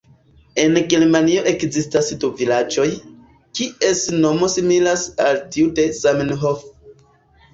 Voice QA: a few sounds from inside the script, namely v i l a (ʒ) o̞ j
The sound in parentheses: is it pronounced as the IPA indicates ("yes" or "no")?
no